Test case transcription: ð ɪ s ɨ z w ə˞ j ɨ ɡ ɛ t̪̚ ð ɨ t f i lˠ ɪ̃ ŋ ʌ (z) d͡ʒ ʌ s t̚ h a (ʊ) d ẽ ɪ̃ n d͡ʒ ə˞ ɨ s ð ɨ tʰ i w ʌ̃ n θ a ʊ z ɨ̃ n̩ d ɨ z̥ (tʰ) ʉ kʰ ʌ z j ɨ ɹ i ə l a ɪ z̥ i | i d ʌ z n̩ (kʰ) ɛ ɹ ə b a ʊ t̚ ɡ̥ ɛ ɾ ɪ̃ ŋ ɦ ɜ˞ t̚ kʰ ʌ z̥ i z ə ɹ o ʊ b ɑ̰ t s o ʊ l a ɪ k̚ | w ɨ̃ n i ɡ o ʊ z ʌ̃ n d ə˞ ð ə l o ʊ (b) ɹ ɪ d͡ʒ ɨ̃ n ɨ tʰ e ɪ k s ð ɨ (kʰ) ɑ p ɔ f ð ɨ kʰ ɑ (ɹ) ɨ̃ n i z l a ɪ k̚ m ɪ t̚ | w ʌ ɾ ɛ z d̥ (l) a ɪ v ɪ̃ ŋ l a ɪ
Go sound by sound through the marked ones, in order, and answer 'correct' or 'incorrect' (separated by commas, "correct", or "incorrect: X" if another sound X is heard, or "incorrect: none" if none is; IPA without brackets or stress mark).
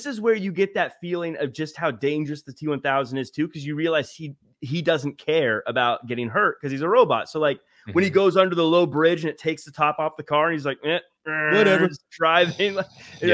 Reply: incorrect: v, correct, correct, correct, correct, incorrect: tʰ, correct, incorrect: ɹ